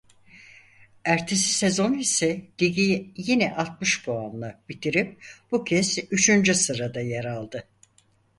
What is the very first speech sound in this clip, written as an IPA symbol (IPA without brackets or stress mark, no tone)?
æ